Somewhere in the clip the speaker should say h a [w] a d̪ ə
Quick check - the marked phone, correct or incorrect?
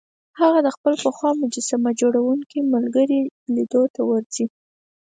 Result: incorrect